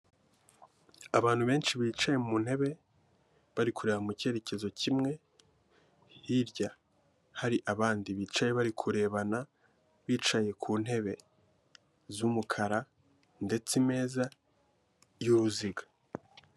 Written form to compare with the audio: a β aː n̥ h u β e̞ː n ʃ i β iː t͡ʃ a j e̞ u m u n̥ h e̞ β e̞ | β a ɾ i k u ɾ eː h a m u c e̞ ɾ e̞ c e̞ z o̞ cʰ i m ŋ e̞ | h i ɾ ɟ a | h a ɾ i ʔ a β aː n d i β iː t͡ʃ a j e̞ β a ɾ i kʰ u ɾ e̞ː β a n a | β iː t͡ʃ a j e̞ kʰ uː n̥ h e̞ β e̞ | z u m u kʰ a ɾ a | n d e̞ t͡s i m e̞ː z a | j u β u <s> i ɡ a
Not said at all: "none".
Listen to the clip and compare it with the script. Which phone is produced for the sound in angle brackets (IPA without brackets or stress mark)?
z